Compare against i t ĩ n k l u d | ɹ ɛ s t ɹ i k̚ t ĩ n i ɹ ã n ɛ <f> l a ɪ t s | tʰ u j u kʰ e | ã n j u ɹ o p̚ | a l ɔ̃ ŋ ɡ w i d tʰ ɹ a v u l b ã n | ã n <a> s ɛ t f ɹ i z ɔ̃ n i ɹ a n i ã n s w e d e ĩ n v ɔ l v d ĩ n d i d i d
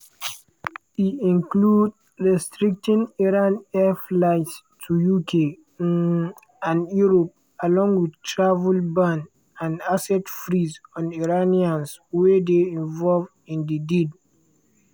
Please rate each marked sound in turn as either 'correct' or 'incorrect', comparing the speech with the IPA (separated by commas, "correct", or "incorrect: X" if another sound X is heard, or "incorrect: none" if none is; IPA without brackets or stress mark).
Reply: correct, correct